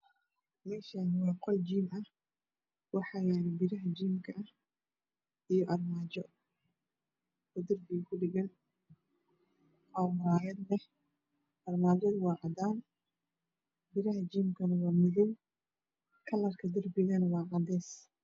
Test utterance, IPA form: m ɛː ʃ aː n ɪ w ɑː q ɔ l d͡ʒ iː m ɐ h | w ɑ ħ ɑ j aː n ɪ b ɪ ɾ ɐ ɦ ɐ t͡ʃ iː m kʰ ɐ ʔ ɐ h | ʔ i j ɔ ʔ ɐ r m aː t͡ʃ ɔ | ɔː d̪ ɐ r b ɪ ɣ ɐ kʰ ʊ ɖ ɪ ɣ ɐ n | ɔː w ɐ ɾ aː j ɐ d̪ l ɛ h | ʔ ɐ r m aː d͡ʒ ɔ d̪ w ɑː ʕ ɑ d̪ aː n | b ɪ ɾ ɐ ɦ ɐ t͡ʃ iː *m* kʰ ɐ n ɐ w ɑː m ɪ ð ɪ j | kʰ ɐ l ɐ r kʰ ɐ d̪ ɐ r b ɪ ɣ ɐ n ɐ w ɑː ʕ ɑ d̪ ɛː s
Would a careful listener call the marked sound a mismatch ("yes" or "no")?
no